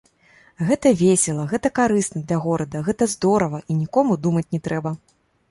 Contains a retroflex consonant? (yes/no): no